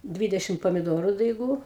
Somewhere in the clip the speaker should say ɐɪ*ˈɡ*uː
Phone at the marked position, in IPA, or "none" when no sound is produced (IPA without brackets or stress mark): ɡ